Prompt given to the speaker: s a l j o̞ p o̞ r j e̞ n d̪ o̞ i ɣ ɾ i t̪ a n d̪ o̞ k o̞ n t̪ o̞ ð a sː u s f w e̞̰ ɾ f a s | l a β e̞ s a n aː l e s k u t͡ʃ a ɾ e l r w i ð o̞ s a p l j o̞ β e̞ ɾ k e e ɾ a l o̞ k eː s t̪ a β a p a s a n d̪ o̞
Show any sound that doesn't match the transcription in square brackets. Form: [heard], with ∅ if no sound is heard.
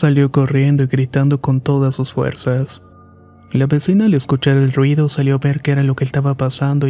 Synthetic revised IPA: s a l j o̞ [k] o̞ r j e̞ n d̪ o̞ i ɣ ɾ i t̪ a n d̪ o̞ k o̞ n t̪ o̞ ð a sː u s f w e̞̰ ɾ [s] a s | l a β e̞ s [i] n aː l e s k u t͡ʃ a ɾ e l r w i ð o̞ s a [∅] l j o̞ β e̞ ɾ k e e ɾ a l o̞ k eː s t̪ a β a p a s a n d̪ o̞